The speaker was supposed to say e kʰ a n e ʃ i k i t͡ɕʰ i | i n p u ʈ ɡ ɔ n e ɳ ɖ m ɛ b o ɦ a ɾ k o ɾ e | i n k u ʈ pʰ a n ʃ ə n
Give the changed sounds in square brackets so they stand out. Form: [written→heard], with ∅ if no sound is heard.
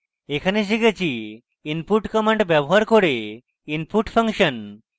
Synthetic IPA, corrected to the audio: e kʰ a n e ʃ i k [i→e] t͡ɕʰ i | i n p u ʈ [ɡ→k] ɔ [n→m] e ɳ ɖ [m→b] ɛ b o ɦ a ɾ k o ɾ e | i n [k→p] u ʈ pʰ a [n→ŋ] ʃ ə n